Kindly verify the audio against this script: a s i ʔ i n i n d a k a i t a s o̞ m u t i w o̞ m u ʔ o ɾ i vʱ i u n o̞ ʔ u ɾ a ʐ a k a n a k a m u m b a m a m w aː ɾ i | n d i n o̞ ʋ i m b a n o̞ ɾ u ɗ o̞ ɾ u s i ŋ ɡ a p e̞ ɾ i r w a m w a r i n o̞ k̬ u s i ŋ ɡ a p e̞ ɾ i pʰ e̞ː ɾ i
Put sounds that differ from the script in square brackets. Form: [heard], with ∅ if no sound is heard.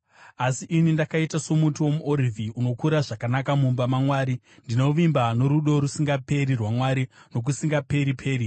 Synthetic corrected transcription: a s i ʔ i n i n d a k a i t a s o̞ m u t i w o̞ m u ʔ o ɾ i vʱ i u n o̞ [k] u ɾ a ʐ a k a n a k a m u m b a m a m w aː ɾ i | n d i n o̞ ʋ i m b a n o̞ ɾ u ɗ o̞ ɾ u s i ŋ ɡ a p e̞ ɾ i r w a m w a [ɾ] i n o̞ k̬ u s i ŋ ɡ a p e̞ ɾ i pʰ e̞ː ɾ i